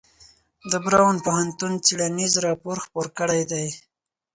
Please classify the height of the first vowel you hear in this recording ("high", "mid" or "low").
mid